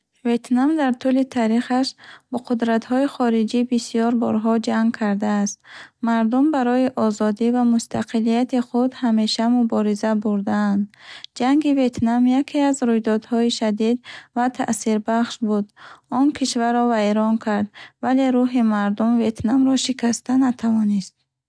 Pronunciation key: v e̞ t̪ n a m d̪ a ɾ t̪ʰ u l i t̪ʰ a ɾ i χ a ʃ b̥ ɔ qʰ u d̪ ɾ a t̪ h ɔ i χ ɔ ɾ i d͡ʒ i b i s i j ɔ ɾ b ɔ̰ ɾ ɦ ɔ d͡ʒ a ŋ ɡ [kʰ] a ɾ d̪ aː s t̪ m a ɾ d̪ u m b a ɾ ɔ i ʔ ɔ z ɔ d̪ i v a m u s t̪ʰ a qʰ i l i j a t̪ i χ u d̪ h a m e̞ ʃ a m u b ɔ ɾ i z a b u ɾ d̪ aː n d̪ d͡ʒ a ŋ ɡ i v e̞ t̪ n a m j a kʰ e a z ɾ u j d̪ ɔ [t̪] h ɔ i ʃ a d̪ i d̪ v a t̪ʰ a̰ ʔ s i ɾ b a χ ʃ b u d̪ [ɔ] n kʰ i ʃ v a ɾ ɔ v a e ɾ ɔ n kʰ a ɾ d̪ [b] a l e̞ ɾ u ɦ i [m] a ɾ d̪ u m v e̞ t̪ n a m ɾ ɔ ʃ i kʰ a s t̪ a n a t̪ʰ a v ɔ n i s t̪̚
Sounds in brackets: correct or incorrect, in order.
correct, incorrect: d̪, correct, incorrect: v, correct

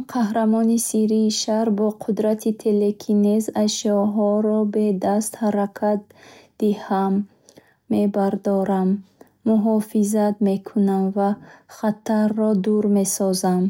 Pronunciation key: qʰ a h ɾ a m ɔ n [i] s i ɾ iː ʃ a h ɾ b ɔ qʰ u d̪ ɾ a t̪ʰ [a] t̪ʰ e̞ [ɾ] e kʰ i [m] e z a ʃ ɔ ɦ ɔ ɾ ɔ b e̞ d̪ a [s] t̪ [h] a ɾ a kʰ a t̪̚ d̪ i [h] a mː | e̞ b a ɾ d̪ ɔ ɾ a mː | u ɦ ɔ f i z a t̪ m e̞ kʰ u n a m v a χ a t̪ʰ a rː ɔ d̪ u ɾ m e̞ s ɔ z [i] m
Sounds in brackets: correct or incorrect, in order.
correct, incorrect: i, incorrect: l, incorrect: n, correct, correct, correct, incorrect: a

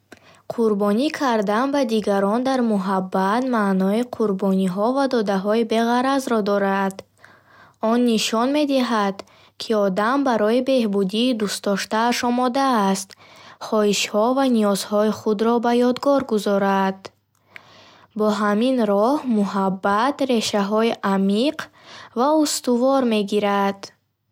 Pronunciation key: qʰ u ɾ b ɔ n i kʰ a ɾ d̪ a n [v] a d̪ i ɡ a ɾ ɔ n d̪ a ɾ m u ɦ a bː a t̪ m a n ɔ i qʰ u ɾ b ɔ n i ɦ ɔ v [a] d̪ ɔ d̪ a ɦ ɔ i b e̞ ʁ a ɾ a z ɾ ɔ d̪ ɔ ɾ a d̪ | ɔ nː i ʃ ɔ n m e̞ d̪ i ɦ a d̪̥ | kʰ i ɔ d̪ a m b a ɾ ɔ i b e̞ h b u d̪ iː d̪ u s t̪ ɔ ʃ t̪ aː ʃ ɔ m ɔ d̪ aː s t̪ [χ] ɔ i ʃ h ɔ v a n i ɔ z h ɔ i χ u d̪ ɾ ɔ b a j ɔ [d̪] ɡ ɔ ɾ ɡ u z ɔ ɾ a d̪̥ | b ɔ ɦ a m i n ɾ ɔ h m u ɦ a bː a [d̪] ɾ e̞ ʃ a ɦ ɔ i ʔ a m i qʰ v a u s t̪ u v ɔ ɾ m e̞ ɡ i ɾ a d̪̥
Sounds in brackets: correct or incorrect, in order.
incorrect: b, correct, correct, correct, incorrect: t̪

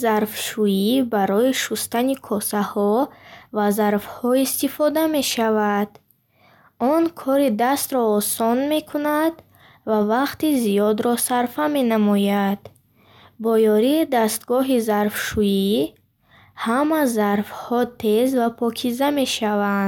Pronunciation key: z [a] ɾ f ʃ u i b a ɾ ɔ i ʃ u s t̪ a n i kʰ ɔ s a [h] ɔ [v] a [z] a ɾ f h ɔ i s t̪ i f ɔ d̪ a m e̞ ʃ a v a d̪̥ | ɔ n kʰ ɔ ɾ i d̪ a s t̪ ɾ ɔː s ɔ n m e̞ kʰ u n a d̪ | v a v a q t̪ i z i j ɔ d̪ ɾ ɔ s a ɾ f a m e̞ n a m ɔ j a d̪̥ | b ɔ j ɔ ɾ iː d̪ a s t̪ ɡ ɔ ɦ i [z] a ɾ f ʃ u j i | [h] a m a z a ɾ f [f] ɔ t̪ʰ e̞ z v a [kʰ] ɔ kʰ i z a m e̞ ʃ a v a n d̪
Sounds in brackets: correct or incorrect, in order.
correct, correct, correct, correct, correct, correct, incorrect: h, incorrect: pʰ

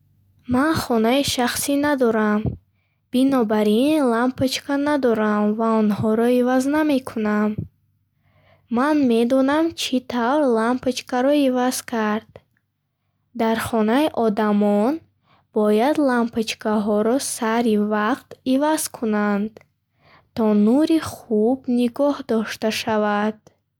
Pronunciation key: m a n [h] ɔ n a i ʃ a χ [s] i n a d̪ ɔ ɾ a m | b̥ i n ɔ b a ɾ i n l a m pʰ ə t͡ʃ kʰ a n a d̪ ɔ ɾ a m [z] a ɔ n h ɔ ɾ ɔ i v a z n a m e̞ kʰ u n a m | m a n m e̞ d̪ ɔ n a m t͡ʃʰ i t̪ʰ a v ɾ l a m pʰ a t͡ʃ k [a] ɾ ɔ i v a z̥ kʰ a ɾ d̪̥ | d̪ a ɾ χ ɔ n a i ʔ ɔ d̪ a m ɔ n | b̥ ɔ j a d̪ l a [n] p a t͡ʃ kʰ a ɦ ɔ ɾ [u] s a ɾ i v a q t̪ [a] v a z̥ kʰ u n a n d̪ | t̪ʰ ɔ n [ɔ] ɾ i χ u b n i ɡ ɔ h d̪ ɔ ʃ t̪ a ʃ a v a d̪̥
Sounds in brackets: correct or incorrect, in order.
incorrect: χ, correct, incorrect: v, correct, incorrect: m, incorrect: ɔ, incorrect: i, incorrect: u

